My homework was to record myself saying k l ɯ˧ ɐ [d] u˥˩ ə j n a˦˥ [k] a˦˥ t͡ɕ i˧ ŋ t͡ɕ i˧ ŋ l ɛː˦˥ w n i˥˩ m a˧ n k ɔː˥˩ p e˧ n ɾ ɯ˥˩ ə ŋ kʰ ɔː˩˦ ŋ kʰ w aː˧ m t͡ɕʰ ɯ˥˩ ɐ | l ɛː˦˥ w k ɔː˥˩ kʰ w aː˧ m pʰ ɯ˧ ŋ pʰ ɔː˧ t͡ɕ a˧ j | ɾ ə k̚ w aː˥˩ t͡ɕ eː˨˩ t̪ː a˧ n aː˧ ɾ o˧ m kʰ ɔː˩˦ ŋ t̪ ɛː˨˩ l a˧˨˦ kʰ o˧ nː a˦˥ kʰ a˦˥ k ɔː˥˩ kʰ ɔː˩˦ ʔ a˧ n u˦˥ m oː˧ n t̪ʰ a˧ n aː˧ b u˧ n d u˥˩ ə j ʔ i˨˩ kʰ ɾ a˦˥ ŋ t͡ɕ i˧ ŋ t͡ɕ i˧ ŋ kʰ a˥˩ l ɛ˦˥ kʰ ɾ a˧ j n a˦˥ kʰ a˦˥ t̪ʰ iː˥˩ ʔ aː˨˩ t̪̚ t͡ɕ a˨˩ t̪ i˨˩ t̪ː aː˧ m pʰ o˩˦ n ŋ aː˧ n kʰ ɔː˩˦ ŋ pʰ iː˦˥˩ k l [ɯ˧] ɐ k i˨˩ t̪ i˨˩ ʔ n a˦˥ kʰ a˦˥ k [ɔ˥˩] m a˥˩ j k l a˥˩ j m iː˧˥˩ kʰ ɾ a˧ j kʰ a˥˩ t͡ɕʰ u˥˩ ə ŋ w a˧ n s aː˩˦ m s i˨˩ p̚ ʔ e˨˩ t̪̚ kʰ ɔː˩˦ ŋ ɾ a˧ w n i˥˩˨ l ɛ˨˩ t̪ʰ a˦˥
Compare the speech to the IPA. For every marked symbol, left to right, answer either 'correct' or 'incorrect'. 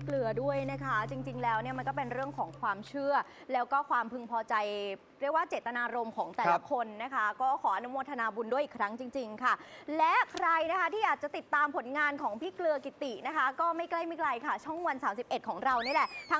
correct, incorrect, correct, incorrect

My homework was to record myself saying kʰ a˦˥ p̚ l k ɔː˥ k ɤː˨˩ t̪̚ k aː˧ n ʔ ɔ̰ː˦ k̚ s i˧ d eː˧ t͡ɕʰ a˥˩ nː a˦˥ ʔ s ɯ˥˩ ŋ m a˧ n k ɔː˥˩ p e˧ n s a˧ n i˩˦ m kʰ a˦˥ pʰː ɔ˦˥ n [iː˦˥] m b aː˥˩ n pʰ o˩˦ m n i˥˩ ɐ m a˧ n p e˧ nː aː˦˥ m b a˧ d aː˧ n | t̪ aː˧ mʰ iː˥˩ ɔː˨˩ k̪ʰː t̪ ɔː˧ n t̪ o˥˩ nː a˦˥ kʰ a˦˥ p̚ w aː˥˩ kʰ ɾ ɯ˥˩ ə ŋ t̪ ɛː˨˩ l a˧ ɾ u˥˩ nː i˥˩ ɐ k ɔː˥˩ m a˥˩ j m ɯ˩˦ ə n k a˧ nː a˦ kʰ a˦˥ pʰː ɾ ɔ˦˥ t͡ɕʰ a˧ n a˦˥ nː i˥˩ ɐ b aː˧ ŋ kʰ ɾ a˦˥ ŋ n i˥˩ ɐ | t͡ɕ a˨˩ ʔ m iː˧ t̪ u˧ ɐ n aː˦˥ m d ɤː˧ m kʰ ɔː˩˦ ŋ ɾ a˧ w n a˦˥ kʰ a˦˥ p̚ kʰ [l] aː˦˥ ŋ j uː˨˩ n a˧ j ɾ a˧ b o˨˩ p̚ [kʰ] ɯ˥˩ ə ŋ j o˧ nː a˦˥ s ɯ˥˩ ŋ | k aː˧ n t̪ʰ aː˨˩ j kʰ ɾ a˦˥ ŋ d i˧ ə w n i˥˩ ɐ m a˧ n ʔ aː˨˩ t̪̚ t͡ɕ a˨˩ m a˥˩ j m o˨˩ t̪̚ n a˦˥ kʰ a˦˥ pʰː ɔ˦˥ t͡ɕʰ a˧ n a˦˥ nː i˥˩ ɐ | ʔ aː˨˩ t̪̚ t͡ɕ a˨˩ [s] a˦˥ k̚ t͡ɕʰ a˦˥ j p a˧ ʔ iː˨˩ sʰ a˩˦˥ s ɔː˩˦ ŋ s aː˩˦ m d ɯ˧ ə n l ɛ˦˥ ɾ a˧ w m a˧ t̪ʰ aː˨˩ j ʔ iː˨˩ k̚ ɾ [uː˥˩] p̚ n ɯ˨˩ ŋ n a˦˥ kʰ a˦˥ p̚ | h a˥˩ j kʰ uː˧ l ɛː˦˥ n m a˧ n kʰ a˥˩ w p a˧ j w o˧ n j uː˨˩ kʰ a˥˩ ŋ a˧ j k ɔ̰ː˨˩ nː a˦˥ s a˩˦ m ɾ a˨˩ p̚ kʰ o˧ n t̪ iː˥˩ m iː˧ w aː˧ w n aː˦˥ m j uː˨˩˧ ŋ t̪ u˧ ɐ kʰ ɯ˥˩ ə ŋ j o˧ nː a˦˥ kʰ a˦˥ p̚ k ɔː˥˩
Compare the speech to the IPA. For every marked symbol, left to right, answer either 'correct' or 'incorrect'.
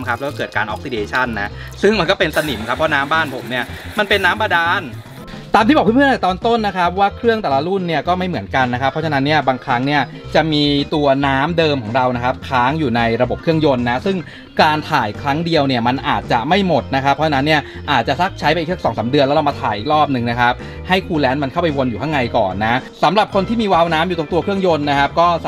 incorrect, incorrect, correct, correct, incorrect

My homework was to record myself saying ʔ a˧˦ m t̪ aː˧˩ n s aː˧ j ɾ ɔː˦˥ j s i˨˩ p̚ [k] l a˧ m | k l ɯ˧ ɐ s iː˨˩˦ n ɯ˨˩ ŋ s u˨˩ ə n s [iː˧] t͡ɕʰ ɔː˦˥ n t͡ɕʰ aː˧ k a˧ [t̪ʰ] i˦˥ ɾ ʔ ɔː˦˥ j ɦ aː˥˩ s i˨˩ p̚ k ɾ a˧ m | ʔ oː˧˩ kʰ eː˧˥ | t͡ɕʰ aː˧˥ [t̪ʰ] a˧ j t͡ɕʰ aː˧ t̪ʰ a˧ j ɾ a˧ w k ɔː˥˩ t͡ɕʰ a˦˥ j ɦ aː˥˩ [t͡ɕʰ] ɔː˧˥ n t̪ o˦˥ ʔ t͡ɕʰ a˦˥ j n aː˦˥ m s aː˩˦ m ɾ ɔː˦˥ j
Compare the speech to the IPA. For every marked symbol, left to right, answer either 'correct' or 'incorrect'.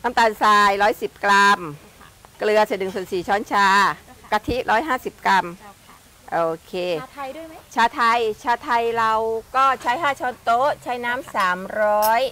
correct, incorrect, correct, correct, correct

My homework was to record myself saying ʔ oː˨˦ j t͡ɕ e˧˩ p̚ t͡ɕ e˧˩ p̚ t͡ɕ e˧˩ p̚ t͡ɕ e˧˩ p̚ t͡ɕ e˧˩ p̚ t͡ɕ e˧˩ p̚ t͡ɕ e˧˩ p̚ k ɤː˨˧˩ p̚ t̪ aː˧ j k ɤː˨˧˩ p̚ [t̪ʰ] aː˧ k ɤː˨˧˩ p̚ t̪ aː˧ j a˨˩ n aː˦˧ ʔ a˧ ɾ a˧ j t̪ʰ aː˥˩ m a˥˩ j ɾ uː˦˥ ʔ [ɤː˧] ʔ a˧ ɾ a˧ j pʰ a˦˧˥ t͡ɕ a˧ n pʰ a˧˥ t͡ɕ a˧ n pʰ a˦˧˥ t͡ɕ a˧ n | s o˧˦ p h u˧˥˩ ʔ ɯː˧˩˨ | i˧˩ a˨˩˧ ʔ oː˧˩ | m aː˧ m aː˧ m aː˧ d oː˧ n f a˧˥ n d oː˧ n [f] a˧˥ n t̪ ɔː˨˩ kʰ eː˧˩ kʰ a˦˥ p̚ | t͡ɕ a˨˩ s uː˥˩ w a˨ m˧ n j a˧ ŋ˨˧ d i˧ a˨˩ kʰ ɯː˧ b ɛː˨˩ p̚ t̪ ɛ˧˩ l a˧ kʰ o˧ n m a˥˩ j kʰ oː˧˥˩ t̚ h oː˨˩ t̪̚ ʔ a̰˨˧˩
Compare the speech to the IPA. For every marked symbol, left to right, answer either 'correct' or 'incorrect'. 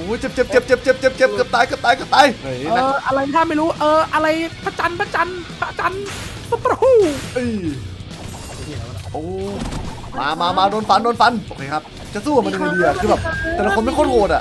incorrect, correct, correct

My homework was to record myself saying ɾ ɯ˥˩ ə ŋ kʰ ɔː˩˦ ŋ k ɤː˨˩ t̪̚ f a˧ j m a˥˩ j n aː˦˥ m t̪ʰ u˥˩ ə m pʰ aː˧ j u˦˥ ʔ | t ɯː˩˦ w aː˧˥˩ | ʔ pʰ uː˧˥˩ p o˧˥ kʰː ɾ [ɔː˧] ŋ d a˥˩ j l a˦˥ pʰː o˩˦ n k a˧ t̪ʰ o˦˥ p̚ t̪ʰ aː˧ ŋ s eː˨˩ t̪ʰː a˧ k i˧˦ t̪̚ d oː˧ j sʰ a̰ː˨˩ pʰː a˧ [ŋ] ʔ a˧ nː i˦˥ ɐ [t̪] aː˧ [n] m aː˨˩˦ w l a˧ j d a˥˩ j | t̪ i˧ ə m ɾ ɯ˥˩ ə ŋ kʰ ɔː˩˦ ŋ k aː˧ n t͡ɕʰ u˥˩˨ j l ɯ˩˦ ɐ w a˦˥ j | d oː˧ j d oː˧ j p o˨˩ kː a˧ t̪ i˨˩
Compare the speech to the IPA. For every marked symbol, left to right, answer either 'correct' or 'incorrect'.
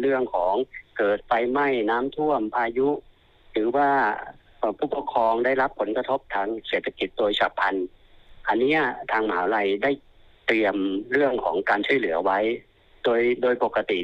correct, incorrect, incorrect, incorrect

